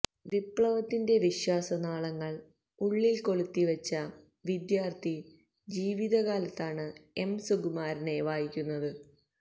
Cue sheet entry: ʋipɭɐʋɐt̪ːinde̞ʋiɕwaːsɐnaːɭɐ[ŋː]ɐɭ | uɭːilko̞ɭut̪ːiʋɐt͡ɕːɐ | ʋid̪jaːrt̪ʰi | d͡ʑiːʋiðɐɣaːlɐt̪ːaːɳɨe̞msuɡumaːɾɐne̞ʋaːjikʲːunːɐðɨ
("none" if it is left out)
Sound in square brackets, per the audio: ŋː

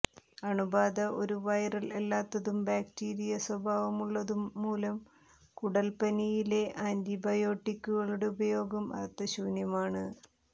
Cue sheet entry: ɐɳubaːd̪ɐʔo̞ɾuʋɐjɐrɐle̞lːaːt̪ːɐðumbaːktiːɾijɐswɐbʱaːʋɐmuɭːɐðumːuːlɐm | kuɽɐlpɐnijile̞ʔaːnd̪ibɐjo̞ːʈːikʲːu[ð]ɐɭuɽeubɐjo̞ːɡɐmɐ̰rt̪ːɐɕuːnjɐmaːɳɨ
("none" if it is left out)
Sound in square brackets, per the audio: ɣ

